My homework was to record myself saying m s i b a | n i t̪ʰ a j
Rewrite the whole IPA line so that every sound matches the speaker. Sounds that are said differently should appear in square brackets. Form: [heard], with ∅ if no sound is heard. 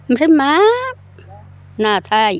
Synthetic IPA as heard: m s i [m] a | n [a] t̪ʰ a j